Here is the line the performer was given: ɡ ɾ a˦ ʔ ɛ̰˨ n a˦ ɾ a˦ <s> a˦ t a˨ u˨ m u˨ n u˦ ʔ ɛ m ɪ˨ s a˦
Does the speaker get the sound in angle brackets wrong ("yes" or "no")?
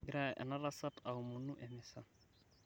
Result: no